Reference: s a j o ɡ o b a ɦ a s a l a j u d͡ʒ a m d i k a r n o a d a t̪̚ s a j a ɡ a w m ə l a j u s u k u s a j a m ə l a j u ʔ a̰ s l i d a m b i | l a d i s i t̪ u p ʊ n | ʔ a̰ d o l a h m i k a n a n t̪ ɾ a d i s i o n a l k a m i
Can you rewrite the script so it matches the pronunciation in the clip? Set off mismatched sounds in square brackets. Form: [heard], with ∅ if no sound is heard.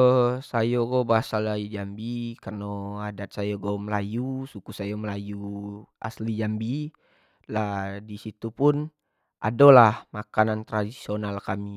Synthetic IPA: s a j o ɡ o b a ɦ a s a l a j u d͡ʒ a m [b] i k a r n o a d a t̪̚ s a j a ɡ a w m ə l a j u s u k u s a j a m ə l a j u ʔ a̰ s l i [d͡ʒ] a m b i | l a d i s i t̪ u p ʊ n | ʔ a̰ d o l a h m [a] k a n a n t̪ ɾ a d i s i o n a l k a m i